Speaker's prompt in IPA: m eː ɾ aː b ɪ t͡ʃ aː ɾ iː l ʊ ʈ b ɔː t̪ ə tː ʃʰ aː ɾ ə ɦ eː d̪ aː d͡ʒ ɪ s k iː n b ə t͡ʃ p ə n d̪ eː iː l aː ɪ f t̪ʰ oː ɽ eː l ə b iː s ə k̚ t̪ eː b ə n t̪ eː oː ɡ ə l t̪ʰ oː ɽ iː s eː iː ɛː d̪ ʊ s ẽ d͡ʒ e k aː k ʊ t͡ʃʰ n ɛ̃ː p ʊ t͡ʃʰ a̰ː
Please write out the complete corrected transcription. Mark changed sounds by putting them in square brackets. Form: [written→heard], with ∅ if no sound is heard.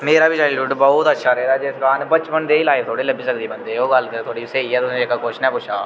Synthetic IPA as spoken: m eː ɾ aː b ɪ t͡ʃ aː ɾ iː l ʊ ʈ b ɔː t̪ ə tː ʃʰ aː ɾ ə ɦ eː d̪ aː d͡ʒ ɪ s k [iː→aː] n b ə t͡ʃ p ə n d̪ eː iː l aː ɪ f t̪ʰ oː ɽ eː l ə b iː s ə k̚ [t̪→d̪] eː b ə n [t̪→d̪] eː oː ɡ ə l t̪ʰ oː ɽ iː s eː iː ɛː [d̪→t̪] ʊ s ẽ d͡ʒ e k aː k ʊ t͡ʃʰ n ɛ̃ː p ʊ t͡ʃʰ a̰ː